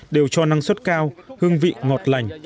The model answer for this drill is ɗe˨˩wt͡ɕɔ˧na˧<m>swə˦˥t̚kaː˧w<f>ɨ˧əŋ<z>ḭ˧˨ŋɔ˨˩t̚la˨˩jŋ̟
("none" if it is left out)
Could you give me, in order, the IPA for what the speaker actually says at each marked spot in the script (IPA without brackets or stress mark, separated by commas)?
ŋ, h, v